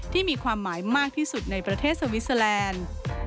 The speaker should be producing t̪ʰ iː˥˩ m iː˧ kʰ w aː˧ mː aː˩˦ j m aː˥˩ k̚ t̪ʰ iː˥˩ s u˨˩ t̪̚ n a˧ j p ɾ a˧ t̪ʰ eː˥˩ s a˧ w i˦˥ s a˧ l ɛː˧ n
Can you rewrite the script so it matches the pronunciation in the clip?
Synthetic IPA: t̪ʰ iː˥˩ m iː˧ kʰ w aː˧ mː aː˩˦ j m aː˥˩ k̚ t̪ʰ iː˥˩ s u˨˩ t̪̚ n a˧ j p ɾ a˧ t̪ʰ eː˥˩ s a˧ w i˦˥ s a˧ l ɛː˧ n